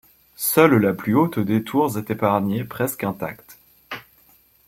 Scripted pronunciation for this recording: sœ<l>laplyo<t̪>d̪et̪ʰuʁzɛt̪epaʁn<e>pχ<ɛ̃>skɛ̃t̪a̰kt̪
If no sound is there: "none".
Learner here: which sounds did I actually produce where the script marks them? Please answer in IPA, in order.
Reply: l, t̪, e, ɛ

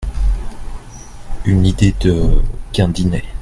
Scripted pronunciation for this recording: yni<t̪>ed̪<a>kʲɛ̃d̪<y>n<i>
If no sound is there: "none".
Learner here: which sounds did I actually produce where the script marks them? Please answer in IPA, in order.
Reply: d̪, ə, i, ɛ

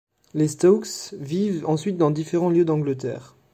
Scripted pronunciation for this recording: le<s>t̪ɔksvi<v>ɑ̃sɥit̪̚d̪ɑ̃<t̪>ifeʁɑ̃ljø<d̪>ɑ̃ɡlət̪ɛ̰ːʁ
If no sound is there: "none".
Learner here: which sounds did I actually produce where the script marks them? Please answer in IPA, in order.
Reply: s, v, d̪, d̪

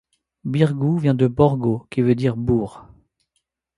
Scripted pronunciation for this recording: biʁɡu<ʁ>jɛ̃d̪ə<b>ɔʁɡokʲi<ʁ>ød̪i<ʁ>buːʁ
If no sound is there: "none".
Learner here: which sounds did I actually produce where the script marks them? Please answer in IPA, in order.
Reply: v, b, v, ʁ

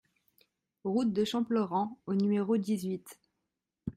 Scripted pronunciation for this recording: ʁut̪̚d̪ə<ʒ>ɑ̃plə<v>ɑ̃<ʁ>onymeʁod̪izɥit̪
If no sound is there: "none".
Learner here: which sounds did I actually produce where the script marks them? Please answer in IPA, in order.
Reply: ʃ, ʁ, none

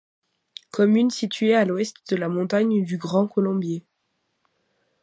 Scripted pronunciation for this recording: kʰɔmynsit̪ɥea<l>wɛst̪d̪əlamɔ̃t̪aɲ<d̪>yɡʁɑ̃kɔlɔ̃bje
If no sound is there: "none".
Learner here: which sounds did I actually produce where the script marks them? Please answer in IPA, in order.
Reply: l, d̪

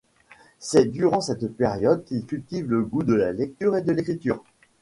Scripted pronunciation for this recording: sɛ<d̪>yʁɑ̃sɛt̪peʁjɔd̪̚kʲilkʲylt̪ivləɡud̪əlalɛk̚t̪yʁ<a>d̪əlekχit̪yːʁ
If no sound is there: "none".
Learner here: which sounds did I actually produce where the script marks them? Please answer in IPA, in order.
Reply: d̪, e

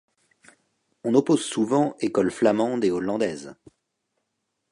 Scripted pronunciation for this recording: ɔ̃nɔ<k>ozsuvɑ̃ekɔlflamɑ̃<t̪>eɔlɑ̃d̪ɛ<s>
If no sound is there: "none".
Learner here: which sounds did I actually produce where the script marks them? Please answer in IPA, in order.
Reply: p, d̪, z

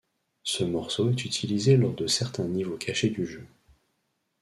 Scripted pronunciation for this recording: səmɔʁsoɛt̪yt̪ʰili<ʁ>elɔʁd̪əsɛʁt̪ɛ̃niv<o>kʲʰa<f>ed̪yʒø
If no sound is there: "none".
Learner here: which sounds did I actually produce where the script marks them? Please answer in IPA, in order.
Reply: z, o, ʃ

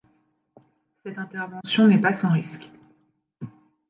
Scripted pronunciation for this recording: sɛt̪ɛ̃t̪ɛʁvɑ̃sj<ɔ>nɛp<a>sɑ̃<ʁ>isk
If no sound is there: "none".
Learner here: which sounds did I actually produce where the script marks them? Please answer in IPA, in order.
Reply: ɔ̃, a, ʁ

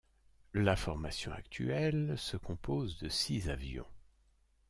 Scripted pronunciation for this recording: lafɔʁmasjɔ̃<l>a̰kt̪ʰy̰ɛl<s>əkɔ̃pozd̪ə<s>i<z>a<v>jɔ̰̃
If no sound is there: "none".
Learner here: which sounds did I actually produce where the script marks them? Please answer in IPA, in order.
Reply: none, s, s, z, v

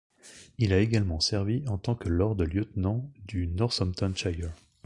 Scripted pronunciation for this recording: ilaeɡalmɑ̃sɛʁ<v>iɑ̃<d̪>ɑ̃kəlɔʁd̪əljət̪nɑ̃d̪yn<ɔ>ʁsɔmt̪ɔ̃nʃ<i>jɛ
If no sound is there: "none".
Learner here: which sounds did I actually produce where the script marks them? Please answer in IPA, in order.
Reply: v, t̪, ɔ, a

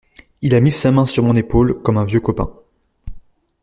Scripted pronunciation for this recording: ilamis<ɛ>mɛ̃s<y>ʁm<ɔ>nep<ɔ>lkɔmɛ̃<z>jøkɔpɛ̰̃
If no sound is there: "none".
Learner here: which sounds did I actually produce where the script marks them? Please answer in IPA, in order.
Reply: a, y, ɔ̃, o, v

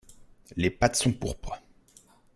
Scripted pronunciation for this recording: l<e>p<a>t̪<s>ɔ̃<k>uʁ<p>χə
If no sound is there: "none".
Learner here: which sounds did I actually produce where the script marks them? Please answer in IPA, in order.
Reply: e, a, s, p, p

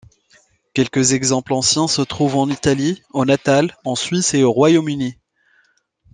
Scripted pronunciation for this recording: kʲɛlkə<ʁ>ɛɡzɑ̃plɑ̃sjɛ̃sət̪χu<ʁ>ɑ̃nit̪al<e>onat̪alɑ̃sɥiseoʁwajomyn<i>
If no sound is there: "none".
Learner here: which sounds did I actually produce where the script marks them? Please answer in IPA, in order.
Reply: z, v, i, i

